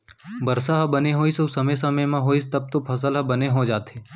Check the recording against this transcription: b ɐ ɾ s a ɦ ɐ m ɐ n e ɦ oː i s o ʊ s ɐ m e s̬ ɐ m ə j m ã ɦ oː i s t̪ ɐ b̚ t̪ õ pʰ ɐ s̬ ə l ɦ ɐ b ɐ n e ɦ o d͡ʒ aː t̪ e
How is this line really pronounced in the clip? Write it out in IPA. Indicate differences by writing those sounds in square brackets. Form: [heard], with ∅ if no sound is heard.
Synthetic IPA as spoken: b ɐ ɾ s a ɦ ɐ [b] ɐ n e ɦ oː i s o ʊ s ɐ m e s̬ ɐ m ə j m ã ɦ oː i s t̪ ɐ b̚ t̪ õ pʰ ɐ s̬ ə l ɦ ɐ b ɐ n e ɦ o d͡ʒ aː t̪ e